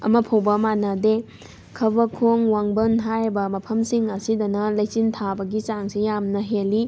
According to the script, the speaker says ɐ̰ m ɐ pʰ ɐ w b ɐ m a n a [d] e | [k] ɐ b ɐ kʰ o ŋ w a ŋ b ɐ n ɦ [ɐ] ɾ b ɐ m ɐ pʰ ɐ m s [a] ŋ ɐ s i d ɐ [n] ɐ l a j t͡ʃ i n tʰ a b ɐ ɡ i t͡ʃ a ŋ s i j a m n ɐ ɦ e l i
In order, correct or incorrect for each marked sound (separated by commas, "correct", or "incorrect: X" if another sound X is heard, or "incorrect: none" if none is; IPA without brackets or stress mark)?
correct, incorrect: kʰ, incorrect: a, incorrect: i, correct